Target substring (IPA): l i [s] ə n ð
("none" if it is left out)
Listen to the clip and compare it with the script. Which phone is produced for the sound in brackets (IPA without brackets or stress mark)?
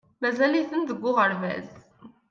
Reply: θ